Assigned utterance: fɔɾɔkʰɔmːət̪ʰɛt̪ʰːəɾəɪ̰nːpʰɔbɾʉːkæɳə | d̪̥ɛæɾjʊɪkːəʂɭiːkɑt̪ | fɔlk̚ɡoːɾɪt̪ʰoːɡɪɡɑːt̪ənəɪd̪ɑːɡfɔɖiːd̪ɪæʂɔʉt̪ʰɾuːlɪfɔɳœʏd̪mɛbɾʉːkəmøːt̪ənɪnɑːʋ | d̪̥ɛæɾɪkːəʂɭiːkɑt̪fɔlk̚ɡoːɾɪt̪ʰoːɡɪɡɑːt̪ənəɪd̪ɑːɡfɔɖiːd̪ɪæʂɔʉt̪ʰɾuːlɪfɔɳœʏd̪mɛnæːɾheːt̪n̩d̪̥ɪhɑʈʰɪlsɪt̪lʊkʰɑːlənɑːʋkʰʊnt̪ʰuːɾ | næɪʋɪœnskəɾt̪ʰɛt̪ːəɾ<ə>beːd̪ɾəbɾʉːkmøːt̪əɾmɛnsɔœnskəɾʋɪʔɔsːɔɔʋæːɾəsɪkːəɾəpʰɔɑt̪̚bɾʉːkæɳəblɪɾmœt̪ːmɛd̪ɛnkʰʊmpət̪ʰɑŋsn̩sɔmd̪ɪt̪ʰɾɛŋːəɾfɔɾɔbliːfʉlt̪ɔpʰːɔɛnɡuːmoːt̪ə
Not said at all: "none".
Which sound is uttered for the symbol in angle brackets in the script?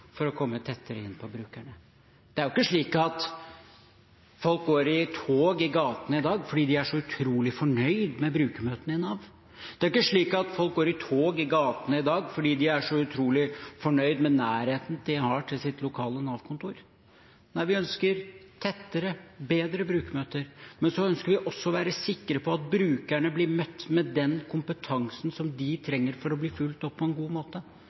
ə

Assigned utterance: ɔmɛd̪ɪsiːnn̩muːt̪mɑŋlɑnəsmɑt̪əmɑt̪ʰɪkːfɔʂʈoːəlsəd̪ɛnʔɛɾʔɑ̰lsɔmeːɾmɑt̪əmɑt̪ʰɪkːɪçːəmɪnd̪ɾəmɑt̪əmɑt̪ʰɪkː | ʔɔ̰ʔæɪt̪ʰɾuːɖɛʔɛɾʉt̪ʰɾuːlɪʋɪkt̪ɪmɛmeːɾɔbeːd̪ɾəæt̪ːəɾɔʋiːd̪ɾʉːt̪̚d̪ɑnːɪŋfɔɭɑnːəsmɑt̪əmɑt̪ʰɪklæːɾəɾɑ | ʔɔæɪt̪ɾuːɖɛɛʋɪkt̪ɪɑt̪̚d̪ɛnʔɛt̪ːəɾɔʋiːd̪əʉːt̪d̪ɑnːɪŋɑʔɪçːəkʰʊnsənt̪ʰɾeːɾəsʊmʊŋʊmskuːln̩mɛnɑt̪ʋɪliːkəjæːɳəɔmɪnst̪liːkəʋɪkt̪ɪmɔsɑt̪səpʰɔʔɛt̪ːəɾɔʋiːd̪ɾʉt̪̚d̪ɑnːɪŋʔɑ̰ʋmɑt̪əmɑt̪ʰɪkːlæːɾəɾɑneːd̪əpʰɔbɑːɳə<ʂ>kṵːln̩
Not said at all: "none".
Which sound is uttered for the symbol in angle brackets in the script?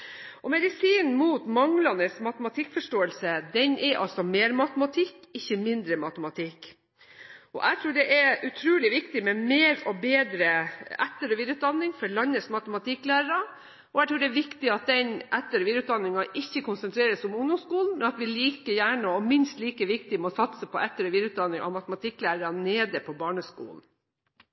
s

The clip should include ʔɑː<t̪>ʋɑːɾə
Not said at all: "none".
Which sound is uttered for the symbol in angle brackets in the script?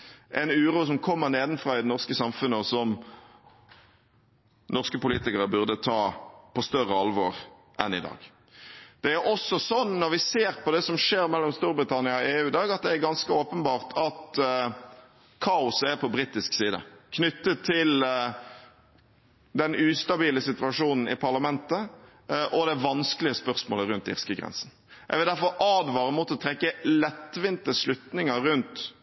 d̪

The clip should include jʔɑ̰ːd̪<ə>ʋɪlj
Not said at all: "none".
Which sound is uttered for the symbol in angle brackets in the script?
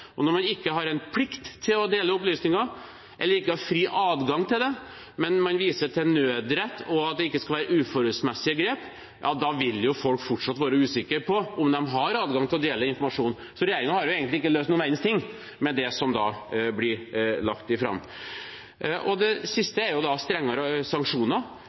ɑ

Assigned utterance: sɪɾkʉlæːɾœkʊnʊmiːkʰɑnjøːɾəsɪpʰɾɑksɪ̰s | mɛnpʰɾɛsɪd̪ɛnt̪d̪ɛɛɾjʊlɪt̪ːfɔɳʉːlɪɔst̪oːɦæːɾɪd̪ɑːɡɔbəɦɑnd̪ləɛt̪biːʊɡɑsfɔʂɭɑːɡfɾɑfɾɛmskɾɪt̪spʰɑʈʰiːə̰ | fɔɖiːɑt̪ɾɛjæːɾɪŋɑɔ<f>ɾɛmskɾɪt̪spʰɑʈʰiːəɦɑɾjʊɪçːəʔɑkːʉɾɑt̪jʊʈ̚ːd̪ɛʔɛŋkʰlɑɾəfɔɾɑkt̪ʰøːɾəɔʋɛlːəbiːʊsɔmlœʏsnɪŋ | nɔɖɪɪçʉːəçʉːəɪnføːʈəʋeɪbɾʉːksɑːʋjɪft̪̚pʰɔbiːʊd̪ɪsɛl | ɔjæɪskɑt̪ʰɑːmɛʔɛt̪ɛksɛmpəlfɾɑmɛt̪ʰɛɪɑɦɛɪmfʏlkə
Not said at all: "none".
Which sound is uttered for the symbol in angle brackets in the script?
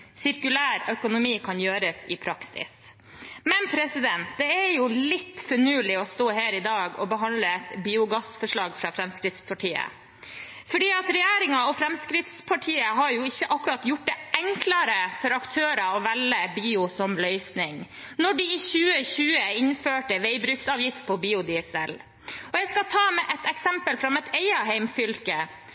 f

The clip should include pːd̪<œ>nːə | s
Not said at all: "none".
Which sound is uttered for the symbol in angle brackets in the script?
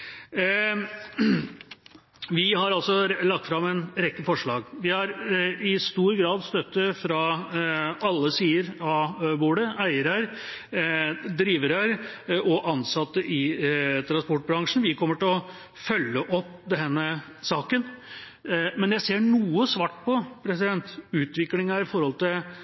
ɛ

